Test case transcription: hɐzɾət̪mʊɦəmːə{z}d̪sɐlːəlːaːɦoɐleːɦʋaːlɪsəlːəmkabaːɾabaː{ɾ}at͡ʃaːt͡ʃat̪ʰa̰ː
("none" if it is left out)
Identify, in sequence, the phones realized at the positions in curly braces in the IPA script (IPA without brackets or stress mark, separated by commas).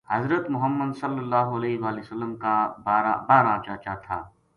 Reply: none, ɾ